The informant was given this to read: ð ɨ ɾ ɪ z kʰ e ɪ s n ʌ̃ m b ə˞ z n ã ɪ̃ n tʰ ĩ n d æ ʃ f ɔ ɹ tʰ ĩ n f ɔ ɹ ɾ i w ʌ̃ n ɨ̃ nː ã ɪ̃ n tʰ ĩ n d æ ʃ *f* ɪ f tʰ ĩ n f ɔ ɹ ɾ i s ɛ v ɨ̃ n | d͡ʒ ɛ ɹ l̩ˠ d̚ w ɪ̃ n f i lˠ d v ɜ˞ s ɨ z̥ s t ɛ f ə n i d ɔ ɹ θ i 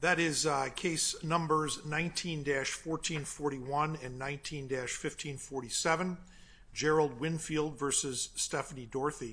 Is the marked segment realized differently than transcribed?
no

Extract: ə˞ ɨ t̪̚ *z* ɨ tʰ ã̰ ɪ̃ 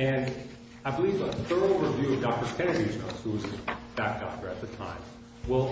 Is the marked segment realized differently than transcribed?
yes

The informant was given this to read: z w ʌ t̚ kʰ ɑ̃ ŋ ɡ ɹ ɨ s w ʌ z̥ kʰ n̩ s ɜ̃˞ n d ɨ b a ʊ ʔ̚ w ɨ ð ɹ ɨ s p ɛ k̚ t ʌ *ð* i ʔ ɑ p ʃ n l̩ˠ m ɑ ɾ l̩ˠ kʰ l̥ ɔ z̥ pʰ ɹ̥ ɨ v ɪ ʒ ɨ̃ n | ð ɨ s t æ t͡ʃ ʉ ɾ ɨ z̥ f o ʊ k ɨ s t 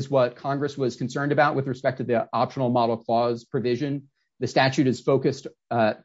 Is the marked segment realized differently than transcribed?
no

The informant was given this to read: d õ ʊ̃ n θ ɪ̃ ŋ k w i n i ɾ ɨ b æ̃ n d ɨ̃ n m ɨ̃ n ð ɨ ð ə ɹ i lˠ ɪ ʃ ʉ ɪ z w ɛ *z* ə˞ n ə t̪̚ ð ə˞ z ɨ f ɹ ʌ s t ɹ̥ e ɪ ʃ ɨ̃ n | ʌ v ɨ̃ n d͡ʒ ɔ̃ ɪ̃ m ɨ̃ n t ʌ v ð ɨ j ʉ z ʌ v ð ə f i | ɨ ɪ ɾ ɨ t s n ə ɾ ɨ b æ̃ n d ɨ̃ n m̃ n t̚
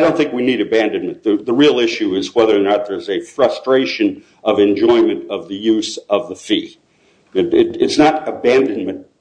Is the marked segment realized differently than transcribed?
yes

